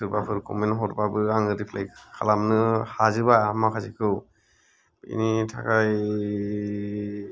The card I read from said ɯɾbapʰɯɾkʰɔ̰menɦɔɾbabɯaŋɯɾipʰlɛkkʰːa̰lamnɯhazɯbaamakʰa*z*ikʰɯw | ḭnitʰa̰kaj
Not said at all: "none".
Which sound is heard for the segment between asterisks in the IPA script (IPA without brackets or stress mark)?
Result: z